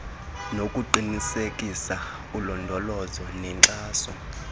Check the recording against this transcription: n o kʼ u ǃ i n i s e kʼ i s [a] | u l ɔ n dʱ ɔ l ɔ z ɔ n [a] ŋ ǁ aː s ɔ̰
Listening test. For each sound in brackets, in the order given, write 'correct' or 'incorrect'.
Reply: correct, incorrect: ɛ

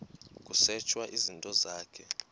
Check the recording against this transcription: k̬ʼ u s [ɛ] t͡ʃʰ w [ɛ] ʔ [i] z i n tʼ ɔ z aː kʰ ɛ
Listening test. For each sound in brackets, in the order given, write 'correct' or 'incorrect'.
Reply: correct, incorrect: a, correct

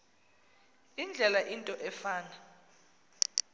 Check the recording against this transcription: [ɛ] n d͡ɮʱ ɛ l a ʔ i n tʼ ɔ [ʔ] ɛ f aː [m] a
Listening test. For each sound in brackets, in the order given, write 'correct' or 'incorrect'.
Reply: incorrect: i, correct, incorrect: n

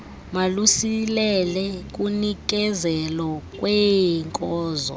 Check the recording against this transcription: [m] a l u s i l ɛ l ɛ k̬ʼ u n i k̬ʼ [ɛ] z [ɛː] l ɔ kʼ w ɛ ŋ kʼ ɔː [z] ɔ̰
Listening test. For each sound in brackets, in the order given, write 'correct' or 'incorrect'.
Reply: correct, correct, incorrect: ɛ, correct

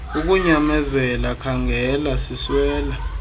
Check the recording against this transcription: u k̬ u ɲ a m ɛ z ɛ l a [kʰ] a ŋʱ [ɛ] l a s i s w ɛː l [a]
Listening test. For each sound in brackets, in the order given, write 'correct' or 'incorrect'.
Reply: correct, correct, correct

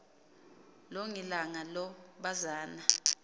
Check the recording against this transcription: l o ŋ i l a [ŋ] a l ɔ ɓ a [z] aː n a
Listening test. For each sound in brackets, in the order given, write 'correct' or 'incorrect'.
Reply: correct, correct

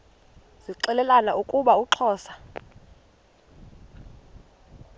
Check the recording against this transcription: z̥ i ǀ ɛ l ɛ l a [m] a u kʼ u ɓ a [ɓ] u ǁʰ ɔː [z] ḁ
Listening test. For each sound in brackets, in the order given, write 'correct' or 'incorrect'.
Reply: incorrect: n, incorrect: none, incorrect: s

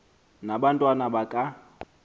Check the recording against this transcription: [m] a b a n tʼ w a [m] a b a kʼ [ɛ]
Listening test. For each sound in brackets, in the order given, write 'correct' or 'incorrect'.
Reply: incorrect: n, incorrect: n, incorrect: a

